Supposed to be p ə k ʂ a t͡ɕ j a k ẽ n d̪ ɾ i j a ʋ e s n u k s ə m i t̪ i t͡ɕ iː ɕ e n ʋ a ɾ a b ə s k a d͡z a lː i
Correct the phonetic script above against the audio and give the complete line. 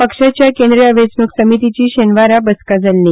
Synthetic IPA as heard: p ə k ʂ a t͡ɕ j a k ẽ n d̪ ɾ i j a ʋ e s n u k s ə m i t̪ i t͡ɕ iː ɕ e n ʋ a ɾ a b ə s k a d͡z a lː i

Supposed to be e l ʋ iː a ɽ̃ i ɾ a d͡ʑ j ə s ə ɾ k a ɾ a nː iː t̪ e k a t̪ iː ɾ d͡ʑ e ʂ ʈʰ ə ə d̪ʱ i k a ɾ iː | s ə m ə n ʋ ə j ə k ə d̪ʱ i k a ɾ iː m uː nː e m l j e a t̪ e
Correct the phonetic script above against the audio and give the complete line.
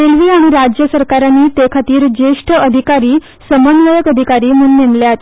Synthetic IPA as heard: e l ʋ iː a ɽ̃ i ɾ a d͡ʑ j ə s ə ɾ k a ɾ a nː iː t̪ e kʰ a t̪ iː ɾ d͡ʑ e ʂ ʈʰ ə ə d̪ʱ i k a ɾ iː | s ə m ə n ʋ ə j ə k ə d̪ʱ i k a ɾ iː m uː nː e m l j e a t̪ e

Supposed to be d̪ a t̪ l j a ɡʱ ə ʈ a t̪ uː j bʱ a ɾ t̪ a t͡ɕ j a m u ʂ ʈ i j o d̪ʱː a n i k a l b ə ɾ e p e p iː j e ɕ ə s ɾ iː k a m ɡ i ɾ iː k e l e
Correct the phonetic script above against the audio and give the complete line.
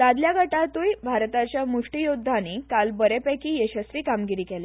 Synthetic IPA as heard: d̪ a d̪ l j a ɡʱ ə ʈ a t̪ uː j bʱ a ɾ t̪ a t͡ɕ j a m u ʂ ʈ i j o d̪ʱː a n i k a l b ə ɾ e p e k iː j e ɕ ə s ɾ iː k a m ɡ i ɾ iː k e l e

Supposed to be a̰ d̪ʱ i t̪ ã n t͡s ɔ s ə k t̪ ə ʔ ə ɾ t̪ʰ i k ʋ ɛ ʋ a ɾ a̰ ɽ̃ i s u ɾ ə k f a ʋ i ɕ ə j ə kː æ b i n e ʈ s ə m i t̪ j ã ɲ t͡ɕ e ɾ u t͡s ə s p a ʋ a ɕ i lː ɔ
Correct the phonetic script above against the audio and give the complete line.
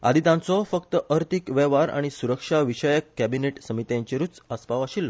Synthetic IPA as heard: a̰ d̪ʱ i t̪ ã n t͡s ɔ f ə k t̪ ə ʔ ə ɾ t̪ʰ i k ʋ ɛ ʋ a ɾ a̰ ɽ̃ i s u ɾ ə k ʂ a ʋ i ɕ ə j ə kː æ b i n e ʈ s ə m i t̪ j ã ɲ t͡ɕ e ɾ u t͡s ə s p a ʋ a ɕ i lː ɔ

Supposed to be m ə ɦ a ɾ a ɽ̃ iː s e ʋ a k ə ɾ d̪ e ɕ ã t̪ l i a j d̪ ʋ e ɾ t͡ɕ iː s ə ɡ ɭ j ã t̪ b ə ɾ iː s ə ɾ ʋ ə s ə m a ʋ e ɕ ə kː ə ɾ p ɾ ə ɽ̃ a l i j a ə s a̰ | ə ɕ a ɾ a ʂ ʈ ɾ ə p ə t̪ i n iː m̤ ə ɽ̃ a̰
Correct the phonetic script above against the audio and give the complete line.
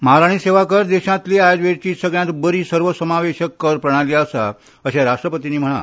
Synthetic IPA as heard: m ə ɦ a ɾ a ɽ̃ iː s e ʋ a k ə ɾ d̪ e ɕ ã t̪ l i a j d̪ ʋ e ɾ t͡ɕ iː s ə ɡ ɭ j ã t̪ b ə ɾ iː s ə ɾ ʋ ə s ə m a ʋ e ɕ ə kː ə ɾ p ɾ ə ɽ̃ a l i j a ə s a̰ | ə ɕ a ɾ a ʂ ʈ ɾ ə p ə t̪ i n iː m̤ ə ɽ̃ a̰

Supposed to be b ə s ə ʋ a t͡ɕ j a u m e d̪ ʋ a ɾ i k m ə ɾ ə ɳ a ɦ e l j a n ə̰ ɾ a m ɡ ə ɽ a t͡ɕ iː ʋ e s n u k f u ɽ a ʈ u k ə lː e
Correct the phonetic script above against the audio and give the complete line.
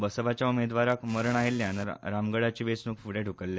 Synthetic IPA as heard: b ə s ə ʋ a t͡ɕ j a u m e d̪ ʋ a ɾ a k m ə ɾ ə ɳ a ɦ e l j a n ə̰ ɾ a m ɡ ə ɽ a t͡ɕ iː ʋ e s n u k f u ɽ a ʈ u k ə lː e

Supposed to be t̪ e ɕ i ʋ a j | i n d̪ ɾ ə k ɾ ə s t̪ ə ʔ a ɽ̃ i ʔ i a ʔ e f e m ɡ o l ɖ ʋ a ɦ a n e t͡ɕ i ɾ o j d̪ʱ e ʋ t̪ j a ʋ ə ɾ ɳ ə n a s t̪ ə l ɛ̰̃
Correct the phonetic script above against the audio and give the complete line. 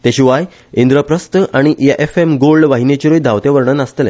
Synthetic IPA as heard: t̪ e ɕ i ʋ a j | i n d̪ ɾ ə p ɾ ə s t̪ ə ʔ a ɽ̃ i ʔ j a ʔ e f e m ɡ o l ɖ ʋ a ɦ i n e t͡ɕ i ɾ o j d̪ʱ a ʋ t̪ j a ʋ ə ɾ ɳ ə n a s t̪ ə l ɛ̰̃

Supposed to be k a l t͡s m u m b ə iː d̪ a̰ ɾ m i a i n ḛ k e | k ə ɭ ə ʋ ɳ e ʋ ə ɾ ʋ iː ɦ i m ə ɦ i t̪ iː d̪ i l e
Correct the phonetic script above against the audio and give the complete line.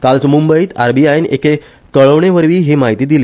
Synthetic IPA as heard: k a l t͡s m u m b ə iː t̪ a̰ ɾ b i a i n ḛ k e | k ə ɭ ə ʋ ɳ e ʋ ə ɾ ʋ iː ɦ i m a ɦ i t̪ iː d̪ i l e

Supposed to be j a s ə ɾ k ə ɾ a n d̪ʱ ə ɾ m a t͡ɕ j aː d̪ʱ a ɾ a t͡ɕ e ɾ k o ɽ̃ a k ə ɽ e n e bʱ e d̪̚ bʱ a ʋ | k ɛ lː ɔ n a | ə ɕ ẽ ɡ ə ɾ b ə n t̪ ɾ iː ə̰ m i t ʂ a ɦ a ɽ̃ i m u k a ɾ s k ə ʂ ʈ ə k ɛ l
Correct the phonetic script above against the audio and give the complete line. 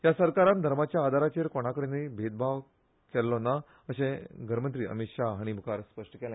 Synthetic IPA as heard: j a s ə ɾ k a ɾ a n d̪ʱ ə ɾ m a t͡ɕ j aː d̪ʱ a ɾ a t͡ɕ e ɾ k o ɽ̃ a k ə ɽ e n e bʱ e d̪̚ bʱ a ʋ | k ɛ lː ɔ n a | ə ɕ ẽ ɡ ə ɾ m ə n t̪ ɾ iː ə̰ m i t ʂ a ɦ a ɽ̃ i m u k a ɾ s p ə ʂ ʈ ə k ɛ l

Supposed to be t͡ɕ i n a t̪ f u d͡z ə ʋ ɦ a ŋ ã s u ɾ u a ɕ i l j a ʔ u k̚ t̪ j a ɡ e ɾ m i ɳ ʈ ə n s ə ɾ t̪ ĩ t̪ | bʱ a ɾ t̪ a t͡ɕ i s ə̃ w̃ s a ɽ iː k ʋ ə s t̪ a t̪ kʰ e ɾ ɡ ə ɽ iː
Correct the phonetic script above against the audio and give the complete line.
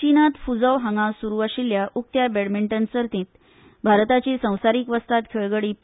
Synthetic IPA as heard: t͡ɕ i n a t̪ f u d͡z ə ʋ ɦ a ŋ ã s u ɾ u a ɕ i l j a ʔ u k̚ t̪ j a b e ɽ m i ɳ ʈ ə n s ə ɾ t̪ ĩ t̪ | bʱ a ɾ t̪ a t͡ɕ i s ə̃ w̃ s a ɾ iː k ʋ ə s t̪ a t̪ kʰ e ɭ ɡ ə ɽ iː

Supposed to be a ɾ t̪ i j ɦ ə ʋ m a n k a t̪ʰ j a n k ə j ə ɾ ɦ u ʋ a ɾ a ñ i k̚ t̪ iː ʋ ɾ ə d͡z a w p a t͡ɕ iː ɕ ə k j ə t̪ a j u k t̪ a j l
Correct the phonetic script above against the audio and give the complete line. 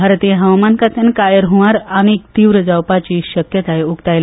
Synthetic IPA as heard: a ɾ t̪ i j ɦ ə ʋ m a n k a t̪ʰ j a n k a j ə ɾ ɦ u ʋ a ɾ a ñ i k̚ t̪ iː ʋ ɾ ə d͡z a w p a t͡ɕ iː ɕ ə k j ə t̪ a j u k t̪ a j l

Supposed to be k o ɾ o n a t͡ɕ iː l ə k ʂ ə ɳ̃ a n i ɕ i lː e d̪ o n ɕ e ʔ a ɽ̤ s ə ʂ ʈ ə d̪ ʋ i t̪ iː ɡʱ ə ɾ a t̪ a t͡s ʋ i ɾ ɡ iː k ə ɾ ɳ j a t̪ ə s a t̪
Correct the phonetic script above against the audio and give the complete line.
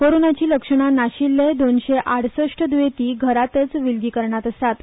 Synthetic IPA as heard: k o ɾ o n a t͡ɕ iː l ə k ʂ ə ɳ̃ a n a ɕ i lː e d̪ o n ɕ e ʔ a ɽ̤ s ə ʂ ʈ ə d̪ ʋ e t̪ iː ɡʱ ə ɾ a t̪ ə t͡s ʋ i l ɡ iː k ə ɾ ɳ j a t̪ ə s a t̪

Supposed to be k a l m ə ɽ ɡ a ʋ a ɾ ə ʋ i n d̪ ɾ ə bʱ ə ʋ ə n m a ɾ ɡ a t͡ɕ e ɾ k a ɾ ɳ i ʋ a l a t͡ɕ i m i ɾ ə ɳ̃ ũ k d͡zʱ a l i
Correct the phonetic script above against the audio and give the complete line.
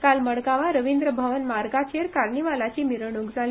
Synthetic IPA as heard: k a l m ə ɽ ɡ a ʋ a ɾ ə ʋ i n d̪ ɾ ə bʱ ə ʋ ə n m a ɾ ɡ a t͡ɕ e ɾ k a ɾ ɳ i ʋ a l a t͡ɕ i m i ɾ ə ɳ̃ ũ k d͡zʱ a l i

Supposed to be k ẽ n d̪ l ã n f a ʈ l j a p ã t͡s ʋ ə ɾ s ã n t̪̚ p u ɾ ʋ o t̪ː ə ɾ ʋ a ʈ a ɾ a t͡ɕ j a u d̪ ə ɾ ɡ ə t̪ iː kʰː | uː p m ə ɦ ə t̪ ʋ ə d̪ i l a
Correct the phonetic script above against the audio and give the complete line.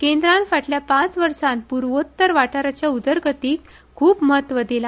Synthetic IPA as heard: k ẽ n d̪ ɾ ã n f a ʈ l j a p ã t͡s ʋ ə ɾ s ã n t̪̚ p u ɾ ʋ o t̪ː ə ɾ ʋ a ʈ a ɾ a t͡ɕ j a u d̪ ə ɾ ɡ ə t̪ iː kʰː | uː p m ə ɦ ə t̪ ʋ ə d̪ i l a

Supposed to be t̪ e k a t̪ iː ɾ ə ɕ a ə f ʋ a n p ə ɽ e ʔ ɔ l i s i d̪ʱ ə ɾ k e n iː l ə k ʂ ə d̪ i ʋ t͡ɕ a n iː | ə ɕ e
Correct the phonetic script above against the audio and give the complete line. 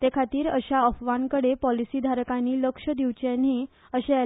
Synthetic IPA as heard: t̪ e kʰ a t̪ iː ɾ ə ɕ a ə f ʋ a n k ə ɽ e p ɔ l i s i d̪ʱ a ɾ k a n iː l ə k ʂ ə d̪ i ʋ t͡ɕ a n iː | ə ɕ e

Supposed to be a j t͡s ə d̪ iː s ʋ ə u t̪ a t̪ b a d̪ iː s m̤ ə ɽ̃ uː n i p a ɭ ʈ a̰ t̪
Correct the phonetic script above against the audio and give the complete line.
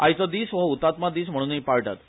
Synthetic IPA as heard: a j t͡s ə d̪ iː s ʋ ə u t̪ a t̪ m a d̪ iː s m̤ ə ɽ̃ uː n i p a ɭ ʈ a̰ t̪

